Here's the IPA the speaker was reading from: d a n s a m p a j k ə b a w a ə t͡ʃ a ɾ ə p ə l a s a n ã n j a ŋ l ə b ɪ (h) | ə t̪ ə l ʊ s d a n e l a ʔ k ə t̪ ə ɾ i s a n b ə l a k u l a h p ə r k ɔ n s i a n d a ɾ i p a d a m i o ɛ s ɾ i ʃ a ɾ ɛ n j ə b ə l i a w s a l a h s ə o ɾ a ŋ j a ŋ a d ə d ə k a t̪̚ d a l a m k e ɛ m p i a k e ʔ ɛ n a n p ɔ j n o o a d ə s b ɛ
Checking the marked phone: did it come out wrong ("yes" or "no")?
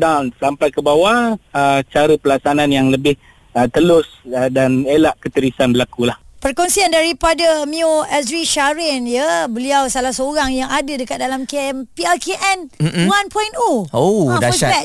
no